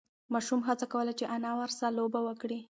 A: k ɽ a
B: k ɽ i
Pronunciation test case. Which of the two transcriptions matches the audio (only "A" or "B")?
B